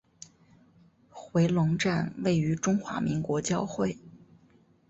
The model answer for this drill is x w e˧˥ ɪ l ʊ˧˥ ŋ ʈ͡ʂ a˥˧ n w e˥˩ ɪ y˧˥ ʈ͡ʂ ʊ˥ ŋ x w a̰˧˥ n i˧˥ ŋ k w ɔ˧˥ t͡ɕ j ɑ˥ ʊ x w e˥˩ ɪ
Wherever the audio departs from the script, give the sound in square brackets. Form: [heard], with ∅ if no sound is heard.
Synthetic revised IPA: x w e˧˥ ɪ l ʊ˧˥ ŋ ʈ͡ʂ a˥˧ n w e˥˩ ɪ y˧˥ ʈ͡ʂ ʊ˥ ŋ x w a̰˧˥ [m] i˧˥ ŋ k w ɔ˧˥ t͡ɕ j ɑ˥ ʊ x w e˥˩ ɪ